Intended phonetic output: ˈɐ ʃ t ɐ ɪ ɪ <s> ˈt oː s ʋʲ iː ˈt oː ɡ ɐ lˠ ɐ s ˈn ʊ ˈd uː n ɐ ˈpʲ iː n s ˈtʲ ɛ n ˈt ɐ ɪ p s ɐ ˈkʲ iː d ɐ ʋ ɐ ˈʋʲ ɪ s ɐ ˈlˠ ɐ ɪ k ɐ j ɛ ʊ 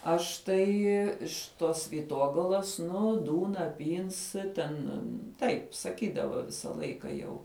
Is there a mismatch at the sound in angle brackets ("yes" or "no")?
yes